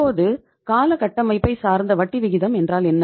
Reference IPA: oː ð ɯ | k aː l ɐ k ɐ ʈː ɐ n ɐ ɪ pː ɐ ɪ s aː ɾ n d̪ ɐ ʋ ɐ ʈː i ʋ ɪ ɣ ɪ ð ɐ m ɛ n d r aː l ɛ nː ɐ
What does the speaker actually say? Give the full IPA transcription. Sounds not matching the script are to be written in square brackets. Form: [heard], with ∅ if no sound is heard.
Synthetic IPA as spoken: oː ð ɯ | k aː l ɐ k ɐ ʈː ɐ [m] ɐ ɪ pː ɐ ɪ s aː ɾ n d̪ ɐ ʋ ɐ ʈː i ʋ ɪ ɣ ɪ ð ɐ m ɛ n d r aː l ɛ nː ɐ

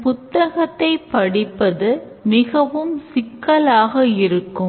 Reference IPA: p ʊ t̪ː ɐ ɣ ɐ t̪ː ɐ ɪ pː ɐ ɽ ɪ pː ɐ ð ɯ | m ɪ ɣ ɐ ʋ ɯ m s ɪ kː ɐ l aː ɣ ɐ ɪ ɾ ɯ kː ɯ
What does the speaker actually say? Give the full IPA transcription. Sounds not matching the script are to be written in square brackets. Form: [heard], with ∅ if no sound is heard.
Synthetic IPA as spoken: p ʊ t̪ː ɐ ɣ ɐ t̪ː ɐ ɪ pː ɐ ɽ ɪ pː ɐ ð ɯ | m ɪ ɣ ɐ ʋ ɯ m s ɪ kː ɐ l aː ɣ ɐ ɪ ɾ ɯ kː ɯ

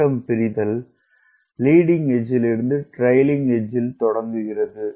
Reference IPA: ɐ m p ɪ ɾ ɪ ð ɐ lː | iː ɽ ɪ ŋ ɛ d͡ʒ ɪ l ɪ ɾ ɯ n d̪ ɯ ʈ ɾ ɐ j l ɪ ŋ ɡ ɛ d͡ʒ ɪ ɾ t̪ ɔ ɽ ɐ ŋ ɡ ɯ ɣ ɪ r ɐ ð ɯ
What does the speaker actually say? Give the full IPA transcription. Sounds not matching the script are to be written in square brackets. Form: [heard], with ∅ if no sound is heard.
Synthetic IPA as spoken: ɐ m p ɪ ɾ ɪ ð ɐ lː | iː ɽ ɪ ŋ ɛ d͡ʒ ɪ l ɪ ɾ ɯ n d̪ ɯ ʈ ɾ ɐ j l ɪ ŋ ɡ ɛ d͡ʒ ɪ [l] t̪ ɔ ɽ ɐ ŋ ɡ ɯ ɣ ɪ r ɐ ð ɯ

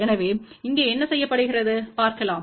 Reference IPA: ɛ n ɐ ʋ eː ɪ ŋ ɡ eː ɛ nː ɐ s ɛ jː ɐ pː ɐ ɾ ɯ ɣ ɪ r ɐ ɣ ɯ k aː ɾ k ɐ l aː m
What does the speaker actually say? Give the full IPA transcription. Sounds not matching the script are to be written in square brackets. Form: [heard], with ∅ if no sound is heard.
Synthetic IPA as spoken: ɛ n ɐ ʋ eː ɪ ŋ ɡ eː ɛ nː ɐ s ɛ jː ɐ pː ɐ [ɽ] ɯ ɣ ɪ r ɐ [ð] ɯ [p] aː ɾ k ɐ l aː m

